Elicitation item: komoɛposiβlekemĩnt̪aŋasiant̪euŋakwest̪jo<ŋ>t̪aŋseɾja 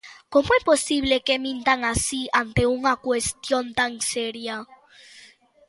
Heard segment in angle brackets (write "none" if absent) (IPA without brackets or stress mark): n